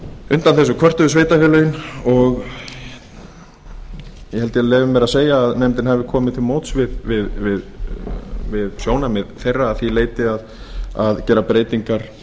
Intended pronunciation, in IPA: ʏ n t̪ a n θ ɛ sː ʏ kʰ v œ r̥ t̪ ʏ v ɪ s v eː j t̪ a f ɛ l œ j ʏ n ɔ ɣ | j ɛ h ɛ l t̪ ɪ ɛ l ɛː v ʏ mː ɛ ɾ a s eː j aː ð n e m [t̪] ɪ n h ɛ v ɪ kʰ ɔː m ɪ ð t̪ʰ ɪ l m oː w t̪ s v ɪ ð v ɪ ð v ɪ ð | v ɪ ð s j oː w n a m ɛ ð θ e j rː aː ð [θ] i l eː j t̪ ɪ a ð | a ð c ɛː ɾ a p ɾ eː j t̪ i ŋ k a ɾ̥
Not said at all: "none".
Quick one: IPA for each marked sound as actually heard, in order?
t̪, θ

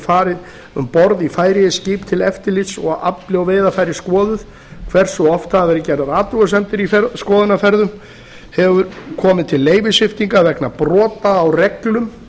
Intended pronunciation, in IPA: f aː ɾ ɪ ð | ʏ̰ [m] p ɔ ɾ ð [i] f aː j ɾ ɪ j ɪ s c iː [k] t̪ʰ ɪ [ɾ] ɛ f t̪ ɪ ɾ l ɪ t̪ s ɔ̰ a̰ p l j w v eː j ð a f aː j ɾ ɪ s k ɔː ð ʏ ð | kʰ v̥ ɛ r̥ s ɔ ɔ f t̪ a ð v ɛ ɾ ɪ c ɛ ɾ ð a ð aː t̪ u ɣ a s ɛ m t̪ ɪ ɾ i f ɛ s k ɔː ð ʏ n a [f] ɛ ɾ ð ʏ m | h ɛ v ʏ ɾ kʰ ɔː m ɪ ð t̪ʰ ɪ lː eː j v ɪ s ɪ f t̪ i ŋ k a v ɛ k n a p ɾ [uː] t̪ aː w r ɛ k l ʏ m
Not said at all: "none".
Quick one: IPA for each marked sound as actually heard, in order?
m, i, p, l, f, ɔː

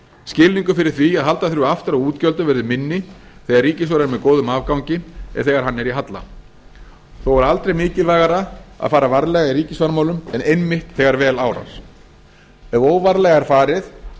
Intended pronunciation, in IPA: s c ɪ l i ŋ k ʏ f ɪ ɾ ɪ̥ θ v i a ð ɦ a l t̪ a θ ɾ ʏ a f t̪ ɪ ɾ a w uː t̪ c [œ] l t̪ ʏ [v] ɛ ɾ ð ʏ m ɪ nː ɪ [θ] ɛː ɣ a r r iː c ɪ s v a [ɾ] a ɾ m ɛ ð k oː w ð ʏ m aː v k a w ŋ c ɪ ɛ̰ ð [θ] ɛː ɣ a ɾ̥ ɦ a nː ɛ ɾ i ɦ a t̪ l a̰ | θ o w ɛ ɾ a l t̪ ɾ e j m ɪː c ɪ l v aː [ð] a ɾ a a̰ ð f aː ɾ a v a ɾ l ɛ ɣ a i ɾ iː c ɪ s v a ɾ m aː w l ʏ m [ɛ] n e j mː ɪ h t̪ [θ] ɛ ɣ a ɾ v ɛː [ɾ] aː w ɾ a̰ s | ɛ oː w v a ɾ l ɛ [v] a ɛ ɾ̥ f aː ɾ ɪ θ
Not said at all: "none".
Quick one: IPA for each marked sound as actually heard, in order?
œ, v, θ, ɾ, θ, ɣ, ɛ, θ, l, ɣ

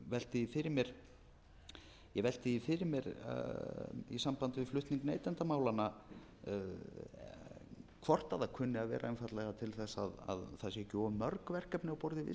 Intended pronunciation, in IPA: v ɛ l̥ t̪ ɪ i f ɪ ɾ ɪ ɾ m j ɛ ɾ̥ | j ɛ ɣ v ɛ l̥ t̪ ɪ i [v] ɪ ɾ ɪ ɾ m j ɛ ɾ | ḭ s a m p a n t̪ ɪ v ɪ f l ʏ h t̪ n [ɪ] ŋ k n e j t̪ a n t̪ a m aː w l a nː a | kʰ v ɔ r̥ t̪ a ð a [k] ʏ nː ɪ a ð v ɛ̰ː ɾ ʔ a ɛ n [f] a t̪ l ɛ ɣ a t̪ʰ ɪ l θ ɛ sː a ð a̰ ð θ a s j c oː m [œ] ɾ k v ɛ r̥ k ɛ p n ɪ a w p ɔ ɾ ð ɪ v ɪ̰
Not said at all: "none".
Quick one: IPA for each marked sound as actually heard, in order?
f, i, kʰ, f, œ

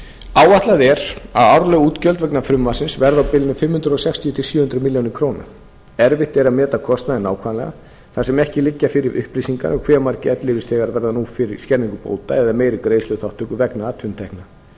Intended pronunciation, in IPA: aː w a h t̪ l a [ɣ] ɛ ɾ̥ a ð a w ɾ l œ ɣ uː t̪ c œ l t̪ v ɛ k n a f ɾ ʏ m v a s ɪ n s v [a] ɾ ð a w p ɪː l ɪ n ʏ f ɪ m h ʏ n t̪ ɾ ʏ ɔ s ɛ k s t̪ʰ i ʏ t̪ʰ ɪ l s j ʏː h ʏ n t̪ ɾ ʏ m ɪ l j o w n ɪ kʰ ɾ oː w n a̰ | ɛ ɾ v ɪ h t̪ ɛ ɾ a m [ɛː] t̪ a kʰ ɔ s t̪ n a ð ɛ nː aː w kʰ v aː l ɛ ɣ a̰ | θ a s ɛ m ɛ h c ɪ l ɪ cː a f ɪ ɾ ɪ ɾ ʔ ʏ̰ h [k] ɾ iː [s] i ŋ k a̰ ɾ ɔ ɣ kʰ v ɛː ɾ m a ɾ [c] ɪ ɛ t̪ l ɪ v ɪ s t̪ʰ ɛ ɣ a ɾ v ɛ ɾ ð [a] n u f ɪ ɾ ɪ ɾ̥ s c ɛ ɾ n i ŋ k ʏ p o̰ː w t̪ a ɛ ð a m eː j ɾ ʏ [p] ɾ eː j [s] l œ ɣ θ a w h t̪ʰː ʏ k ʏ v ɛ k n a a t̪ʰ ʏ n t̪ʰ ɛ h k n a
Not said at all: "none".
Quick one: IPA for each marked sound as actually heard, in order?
ð, ɛ, ɛː, p, s, c, a, k, s

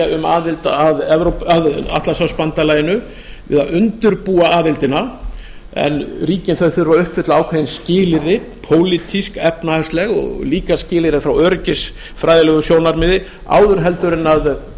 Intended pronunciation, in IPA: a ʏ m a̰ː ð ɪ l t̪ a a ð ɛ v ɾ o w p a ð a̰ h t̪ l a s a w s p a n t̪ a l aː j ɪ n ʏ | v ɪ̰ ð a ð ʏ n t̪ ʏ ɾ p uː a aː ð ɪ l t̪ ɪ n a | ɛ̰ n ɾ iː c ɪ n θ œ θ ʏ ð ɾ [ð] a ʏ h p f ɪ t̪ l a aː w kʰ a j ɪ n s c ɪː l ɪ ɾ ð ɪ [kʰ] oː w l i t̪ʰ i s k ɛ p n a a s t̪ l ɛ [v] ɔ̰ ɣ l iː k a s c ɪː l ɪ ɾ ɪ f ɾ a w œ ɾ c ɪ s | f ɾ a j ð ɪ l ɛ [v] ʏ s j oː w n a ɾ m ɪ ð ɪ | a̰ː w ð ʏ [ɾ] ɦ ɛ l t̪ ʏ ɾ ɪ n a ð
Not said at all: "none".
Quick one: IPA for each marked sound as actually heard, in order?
v, pʰ, ɣ, ɣ, ɾ

